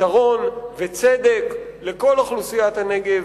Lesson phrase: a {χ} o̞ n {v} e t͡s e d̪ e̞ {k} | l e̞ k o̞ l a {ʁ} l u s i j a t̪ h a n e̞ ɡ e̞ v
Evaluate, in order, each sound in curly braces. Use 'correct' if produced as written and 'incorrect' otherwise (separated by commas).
incorrect, correct, correct, incorrect